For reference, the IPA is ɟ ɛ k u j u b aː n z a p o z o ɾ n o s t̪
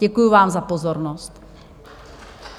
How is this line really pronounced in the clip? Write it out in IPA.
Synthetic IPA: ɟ ɛ k u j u v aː m z a p o z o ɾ n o s t̪